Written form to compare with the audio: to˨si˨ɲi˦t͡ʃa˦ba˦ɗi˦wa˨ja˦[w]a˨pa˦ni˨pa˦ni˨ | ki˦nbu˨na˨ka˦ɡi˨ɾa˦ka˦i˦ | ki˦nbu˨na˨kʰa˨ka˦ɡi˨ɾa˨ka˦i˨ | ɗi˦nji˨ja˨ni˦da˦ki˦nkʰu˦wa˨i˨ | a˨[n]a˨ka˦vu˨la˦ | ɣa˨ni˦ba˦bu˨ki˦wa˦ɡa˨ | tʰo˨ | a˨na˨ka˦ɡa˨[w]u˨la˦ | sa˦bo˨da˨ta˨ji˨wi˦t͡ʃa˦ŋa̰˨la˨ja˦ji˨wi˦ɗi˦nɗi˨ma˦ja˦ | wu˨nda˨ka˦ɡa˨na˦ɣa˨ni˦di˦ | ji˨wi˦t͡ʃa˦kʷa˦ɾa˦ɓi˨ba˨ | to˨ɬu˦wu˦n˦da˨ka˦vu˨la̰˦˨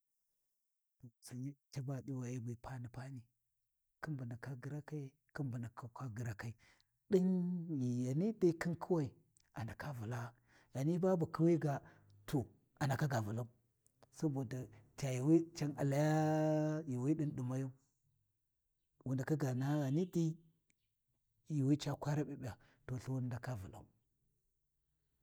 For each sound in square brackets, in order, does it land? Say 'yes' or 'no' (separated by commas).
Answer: no, yes, no